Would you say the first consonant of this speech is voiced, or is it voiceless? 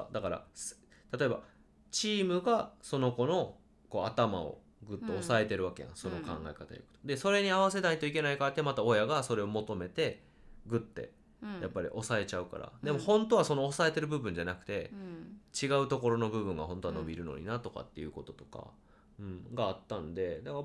voiced